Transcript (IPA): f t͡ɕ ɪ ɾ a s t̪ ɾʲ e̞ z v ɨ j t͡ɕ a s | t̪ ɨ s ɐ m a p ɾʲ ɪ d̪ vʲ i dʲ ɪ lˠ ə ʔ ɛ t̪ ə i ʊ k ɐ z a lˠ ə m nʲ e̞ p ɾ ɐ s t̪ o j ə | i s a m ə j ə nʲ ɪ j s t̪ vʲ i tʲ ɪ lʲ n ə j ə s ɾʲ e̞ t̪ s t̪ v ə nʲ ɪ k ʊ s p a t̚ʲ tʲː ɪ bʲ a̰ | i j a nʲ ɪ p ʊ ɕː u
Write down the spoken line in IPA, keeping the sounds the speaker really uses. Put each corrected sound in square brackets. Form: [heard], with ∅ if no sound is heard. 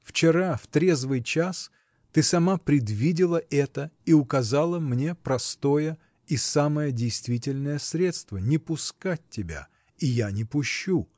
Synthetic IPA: f t͡ɕ ɪ ɾ a [f] t̪ ɾʲ e̞ z v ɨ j t͡ɕ a s | t̪ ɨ s ɐ m a p ɾʲ ɪ d̪ vʲ i dʲ ɪ lˠ ə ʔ ɛ t̪ ə i ʊ k ɐ z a lˠ ə m nʲ e̞ p ɾ ɐ s t̪ o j ə | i s a m ə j ə [dʲ] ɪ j s t̪ vʲ i tʲ ɪ lʲ n ə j ə s ɾʲ e̞ t̪ s t̪ v ə nʲ ɪ [p] ʊ s [k] a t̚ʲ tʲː ɪ bʲ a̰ | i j a nʲ ɪ p ʊ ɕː u